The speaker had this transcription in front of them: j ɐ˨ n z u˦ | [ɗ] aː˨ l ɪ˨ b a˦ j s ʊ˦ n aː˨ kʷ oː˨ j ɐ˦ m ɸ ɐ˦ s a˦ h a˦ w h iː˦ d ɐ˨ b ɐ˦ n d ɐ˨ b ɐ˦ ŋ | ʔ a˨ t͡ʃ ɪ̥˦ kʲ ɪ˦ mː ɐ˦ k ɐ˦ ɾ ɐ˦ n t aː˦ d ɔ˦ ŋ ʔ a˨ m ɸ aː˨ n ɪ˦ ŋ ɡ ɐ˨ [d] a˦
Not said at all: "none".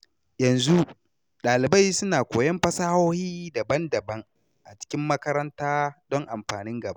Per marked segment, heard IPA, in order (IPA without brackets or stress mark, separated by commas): ɗ, b